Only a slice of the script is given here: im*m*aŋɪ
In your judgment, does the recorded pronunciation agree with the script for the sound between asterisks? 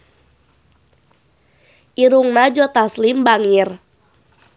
no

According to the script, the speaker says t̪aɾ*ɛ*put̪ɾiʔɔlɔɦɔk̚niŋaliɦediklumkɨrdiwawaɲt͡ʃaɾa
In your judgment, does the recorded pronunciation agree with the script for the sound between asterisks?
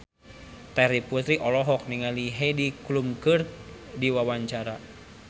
no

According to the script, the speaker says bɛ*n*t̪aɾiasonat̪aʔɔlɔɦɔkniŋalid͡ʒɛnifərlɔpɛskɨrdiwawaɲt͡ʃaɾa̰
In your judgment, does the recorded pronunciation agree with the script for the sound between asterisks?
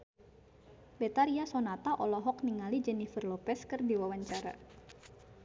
no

